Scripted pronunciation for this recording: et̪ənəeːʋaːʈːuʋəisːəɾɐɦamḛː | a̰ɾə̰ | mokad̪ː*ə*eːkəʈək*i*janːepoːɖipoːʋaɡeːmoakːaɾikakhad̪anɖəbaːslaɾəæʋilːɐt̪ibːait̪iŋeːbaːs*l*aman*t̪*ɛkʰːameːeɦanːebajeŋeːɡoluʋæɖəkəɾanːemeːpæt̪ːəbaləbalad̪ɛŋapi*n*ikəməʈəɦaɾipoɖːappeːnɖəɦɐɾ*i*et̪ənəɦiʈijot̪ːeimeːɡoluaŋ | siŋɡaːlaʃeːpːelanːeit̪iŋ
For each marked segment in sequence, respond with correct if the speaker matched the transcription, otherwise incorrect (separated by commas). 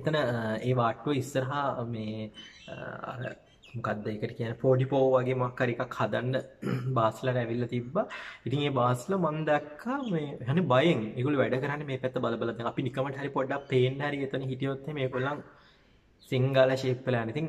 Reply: correct, correct, correct, incorrect, correct, correct